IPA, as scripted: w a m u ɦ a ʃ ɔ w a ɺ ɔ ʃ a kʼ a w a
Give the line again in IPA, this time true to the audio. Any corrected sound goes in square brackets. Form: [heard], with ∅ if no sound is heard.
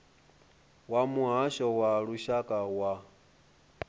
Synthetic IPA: w a m u ɦ a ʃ ɔ w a ɺ [u] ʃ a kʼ a w a